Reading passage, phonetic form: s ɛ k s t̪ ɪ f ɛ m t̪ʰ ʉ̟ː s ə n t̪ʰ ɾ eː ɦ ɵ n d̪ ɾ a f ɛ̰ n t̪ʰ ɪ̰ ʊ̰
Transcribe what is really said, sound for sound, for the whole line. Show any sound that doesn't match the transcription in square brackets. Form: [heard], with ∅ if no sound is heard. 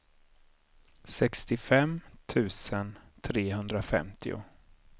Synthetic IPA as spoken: s ɛ k s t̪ ɪ f ɛ m t̪ʰ ʉ̟ː s ə n t̪ʰ ɾ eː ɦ ɵ n d̪ ɾ a f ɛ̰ [m] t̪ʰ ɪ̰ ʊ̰